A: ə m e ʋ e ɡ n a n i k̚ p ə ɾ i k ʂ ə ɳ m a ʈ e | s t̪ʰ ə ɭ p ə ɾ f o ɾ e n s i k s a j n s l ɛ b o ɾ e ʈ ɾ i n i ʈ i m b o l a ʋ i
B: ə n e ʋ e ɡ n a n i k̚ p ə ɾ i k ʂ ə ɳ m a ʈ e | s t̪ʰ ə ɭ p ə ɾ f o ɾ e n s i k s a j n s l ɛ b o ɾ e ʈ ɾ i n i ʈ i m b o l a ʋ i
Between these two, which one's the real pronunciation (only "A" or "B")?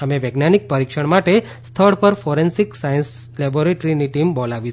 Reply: A